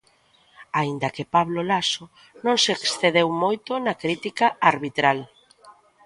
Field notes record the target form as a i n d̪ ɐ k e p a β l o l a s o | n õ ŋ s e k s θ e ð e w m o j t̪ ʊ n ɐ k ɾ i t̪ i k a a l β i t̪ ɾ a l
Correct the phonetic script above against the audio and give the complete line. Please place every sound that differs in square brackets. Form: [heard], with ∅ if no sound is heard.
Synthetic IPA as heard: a i n d̪ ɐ k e p a β l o l a s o | n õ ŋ s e k s θ e ð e w m o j t̪ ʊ n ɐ k ɾ i t̪ i k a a [ɾ] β i t̪ ɾ a l

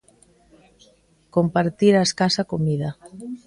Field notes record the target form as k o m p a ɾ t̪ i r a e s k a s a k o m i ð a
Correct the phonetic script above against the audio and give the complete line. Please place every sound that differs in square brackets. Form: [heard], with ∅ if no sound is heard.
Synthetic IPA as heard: k o m p a ɾ t̪ i [ɾ] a e s k a s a k o m i ð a

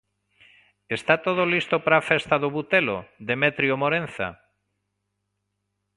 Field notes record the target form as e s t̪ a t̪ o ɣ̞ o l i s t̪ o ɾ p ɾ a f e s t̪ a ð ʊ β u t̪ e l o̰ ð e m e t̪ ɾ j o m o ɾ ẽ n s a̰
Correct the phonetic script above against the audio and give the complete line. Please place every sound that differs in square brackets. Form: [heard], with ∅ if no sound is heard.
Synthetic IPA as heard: e s t̪ a t̪ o [ð̞] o l i s t̪ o [∅] p ɾ a f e s t̪ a ð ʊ β u t̪ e l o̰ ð e m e t̪ ɾ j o m o ɾ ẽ n [θ] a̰

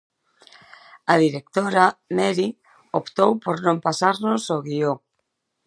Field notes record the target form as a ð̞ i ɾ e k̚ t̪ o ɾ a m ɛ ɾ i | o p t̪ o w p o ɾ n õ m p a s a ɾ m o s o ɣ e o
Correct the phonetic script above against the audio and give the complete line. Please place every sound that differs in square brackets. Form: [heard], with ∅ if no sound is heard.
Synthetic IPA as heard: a ð̞ i ɾ e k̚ t̪ o ɾ a m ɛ ɾ i | o p t̪ o w p o ɾ n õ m p a s a ɾ [n] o s o ɣ [i] o

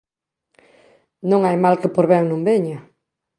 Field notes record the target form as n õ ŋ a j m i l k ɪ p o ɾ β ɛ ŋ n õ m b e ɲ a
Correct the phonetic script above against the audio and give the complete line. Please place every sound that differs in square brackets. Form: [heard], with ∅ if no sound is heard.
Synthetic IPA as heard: n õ ŋ a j m [a] l k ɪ p o ɾ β ɛ ŋ n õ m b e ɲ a

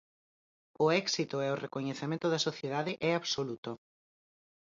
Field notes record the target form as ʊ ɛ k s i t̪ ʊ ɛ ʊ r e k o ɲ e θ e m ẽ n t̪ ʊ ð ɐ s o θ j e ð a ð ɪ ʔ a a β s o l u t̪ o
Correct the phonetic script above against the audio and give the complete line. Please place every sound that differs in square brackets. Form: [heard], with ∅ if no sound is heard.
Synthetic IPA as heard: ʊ ɛ k s i t̪ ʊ ɛ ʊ r e k o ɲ e θ e m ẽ n t̪ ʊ ð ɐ s o θ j e ð a ð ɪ ʔ [ɛ] a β s o l u t̪ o

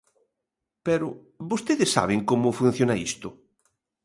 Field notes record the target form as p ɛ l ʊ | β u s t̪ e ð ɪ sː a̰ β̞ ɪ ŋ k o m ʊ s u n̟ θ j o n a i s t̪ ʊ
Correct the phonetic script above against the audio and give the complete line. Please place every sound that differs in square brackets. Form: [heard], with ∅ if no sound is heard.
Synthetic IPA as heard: p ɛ [ɾ] ʊ | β [o] s t̪ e ð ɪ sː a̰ β̞ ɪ ŋ k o m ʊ [f] u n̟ θ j o n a i s t̪ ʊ

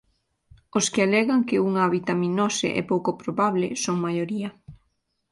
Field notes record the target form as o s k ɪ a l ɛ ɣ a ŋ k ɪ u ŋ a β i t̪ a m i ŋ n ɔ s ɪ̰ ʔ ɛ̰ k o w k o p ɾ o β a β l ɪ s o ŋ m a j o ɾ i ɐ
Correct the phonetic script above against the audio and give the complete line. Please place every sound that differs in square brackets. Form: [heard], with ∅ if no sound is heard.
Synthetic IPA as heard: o s k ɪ a l ɛ ɣ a ŋ k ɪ u ŋ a β i t̪ a m i [∅] n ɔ s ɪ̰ ʔ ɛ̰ [p] o w k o p ɾ o β a β l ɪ s o ŋ m a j o ɾ i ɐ

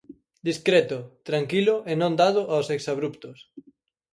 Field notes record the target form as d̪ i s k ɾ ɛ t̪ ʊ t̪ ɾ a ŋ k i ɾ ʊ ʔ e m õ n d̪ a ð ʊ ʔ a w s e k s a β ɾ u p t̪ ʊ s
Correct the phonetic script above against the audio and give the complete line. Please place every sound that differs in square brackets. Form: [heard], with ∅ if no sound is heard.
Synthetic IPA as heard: d̪ i s k ɾ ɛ t̪ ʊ t̪ ɾ a ŋ k i [l] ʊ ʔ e [n] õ n d̪ a ð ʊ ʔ a w s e k s a β ɾ u p t̪ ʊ s

